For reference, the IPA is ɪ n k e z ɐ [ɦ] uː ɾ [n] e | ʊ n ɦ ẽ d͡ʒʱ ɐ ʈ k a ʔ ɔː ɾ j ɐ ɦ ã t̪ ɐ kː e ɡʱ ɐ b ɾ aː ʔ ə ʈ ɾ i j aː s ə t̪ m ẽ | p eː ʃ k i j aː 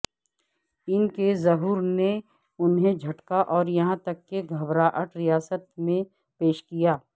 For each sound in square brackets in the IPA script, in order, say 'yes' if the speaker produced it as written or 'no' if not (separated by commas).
yes, yes